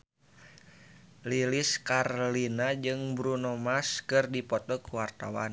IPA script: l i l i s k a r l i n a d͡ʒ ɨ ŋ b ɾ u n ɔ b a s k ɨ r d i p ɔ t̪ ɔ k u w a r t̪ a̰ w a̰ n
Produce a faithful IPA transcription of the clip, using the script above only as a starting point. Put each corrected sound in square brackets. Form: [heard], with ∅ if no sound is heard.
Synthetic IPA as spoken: l i l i s k a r l i n a d͡ʒ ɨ ŋ b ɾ u n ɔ [m] a s k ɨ r d i p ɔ t̪ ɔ k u w a r t̪ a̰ w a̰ n